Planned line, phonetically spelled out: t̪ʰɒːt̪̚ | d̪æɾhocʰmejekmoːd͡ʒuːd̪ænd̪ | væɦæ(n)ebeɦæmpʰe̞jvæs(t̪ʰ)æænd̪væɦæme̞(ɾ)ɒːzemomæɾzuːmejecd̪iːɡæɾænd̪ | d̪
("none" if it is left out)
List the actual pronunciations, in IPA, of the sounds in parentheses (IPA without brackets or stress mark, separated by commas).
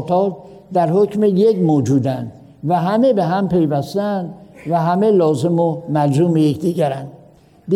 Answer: m, t̪, l